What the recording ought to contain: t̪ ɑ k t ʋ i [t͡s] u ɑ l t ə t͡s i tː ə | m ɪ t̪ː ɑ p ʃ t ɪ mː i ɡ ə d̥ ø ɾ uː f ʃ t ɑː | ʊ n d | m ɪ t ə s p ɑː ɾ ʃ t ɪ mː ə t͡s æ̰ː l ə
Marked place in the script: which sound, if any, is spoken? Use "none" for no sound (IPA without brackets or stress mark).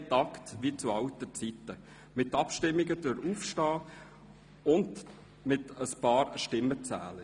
t͡s